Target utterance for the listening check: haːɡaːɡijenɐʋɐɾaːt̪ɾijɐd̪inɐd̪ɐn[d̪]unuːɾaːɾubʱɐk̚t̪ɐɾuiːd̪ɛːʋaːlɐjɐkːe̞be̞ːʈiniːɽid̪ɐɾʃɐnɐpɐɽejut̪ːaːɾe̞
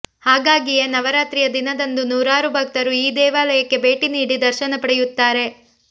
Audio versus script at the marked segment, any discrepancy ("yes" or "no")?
no